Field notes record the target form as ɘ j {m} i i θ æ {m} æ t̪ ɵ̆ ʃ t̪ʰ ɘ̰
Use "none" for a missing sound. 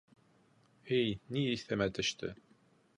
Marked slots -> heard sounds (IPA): n, m

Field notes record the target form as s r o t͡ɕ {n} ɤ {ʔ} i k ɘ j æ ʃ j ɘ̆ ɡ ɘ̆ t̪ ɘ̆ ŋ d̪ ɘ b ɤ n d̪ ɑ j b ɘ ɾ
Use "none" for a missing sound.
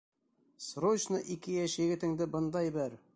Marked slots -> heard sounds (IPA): n, ʔ

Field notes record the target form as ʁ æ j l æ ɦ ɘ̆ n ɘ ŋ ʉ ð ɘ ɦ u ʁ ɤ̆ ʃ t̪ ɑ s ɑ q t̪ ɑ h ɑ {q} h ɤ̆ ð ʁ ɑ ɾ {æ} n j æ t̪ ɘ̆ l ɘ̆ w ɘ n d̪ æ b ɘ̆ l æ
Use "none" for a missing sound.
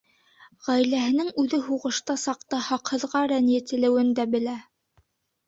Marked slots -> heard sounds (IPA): q, æ

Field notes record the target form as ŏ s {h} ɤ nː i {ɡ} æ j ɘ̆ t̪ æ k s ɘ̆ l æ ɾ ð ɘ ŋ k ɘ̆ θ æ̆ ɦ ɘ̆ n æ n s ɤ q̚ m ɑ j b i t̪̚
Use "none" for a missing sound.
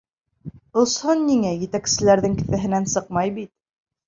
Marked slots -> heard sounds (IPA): h, ŋ

